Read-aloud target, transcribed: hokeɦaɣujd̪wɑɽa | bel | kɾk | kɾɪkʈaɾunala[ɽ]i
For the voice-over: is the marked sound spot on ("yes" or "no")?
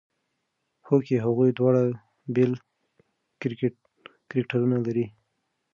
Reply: no